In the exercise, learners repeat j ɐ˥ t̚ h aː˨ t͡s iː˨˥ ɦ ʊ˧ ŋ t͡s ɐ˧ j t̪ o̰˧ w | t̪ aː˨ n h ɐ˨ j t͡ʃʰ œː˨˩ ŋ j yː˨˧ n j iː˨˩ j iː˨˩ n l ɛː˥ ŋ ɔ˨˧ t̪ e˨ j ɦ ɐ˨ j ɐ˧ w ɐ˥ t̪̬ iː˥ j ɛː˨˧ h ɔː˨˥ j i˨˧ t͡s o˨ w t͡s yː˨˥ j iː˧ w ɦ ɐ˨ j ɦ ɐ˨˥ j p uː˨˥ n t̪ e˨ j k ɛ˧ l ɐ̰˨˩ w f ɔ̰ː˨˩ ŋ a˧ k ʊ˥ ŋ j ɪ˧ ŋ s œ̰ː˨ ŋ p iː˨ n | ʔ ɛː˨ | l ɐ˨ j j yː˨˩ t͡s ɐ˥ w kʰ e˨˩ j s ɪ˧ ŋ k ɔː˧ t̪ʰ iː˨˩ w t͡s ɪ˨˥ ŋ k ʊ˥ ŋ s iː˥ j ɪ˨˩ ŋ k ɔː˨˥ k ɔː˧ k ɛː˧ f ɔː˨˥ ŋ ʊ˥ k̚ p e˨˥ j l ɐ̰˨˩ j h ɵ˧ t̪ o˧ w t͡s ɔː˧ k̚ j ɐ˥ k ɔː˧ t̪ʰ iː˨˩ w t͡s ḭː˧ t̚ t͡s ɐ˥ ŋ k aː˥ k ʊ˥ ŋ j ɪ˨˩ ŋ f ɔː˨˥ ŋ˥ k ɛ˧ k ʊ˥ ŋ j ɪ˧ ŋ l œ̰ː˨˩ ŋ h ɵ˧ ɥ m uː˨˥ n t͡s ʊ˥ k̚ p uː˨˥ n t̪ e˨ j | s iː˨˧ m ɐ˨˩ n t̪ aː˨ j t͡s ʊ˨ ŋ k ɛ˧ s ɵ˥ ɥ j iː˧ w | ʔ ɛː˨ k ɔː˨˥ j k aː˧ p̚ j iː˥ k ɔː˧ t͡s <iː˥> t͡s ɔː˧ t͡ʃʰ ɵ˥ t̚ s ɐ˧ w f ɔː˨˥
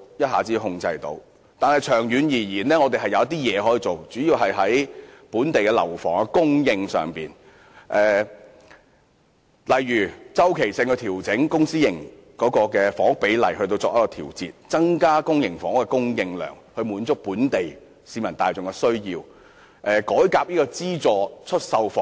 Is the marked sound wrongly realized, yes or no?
no